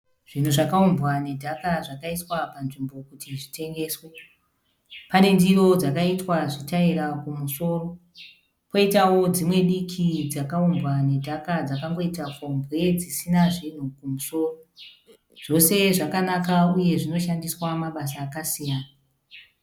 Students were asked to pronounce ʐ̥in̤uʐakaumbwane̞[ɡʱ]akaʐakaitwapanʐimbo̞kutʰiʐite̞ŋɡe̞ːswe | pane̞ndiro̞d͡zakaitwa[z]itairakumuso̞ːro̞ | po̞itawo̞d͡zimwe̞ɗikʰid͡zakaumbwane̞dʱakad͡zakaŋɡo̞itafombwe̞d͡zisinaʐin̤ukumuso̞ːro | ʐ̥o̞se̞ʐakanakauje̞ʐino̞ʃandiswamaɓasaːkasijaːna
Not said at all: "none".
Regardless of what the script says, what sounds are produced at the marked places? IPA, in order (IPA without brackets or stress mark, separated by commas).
dʱ, ʐ